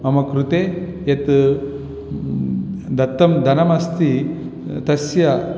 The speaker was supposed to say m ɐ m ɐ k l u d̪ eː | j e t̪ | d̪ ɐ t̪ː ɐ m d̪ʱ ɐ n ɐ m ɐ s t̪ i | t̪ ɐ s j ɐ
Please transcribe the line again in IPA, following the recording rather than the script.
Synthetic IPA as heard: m ɐ m ɐ k ɾ u t̪ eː | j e t̪ | d̪ ɐ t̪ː ɐ m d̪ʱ ɐ n ɐ m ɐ s t̪ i | t̪ ɐ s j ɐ